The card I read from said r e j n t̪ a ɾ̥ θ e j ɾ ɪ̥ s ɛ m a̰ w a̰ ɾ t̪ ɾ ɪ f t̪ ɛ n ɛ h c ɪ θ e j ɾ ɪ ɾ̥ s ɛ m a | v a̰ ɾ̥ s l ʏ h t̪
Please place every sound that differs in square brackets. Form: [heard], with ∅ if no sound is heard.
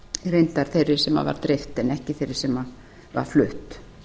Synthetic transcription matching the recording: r e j n t̪ a ɾ̥ θ e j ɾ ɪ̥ s ɛ m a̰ [v] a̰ ɾ t̪ ɾ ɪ f t̪ ɛ n ɛ h c ɪ θ e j ɾ ɪ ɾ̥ s ɛ m a | v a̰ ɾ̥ [f] l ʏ h t̪